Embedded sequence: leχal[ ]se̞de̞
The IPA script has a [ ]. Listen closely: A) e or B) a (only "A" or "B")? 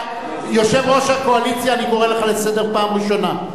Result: A